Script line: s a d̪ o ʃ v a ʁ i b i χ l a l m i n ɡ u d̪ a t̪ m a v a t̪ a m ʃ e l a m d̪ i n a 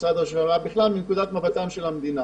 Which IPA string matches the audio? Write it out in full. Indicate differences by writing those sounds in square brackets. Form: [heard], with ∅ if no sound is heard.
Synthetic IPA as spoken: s a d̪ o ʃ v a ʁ [a] b i χ l a l m i n [k] u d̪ a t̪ m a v a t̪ a m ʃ e l a m d̪ i n a